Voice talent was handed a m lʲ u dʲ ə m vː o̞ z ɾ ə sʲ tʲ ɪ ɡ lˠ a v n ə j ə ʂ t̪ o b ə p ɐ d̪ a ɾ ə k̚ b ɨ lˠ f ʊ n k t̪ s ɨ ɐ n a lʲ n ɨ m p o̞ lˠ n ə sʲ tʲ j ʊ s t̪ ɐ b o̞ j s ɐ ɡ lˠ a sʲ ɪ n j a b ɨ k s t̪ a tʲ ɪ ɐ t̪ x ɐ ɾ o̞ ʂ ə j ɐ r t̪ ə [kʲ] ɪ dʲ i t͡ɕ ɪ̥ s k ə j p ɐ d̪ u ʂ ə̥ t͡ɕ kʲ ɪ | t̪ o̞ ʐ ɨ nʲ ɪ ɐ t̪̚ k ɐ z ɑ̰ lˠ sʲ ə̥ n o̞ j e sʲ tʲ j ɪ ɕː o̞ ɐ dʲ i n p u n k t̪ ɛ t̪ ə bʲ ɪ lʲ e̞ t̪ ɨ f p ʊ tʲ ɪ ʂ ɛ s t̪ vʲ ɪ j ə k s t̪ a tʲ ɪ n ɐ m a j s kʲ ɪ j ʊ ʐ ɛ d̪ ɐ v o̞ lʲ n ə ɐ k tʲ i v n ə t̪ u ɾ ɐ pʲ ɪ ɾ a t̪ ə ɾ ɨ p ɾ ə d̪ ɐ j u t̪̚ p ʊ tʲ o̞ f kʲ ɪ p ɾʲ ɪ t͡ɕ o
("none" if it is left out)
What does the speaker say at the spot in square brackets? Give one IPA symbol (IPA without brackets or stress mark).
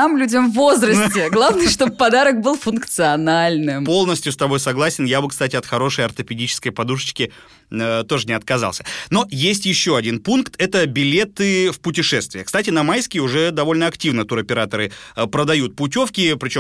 pʲ